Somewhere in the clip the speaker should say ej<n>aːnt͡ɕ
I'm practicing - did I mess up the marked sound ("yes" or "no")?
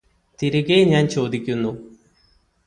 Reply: yes